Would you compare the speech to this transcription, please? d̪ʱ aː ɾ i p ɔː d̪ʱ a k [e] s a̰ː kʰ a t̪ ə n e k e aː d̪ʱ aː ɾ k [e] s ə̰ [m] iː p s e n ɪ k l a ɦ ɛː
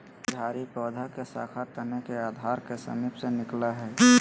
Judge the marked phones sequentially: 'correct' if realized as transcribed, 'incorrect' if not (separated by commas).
correct, correct, correct